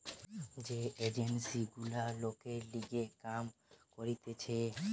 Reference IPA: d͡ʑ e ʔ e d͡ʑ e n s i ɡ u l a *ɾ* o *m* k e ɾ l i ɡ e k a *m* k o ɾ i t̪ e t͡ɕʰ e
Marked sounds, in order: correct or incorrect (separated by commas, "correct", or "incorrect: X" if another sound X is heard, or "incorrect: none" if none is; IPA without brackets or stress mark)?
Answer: incorrect: l, incorrect: none, correct